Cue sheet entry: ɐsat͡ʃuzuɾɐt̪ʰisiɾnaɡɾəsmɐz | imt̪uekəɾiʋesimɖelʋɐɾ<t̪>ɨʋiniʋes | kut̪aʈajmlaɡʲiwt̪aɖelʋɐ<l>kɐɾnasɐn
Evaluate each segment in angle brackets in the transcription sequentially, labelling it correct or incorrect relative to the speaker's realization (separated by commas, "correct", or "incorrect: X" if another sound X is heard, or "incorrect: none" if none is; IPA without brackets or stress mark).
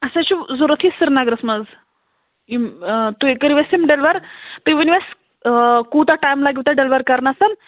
correct, incorrect: ɾ